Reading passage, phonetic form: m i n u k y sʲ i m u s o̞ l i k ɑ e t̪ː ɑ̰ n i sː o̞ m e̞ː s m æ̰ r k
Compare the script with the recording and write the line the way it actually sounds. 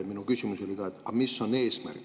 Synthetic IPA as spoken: m i n u k y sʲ i m u s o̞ l i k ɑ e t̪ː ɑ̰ m i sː o̞ n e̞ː s m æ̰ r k